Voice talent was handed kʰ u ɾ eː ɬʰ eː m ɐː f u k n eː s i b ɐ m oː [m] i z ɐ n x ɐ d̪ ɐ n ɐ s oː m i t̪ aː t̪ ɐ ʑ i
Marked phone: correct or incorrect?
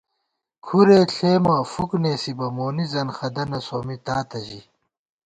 incorrect